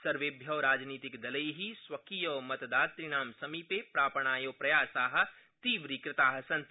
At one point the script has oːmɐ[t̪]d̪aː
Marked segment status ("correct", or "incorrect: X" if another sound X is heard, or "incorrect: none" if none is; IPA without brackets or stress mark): correct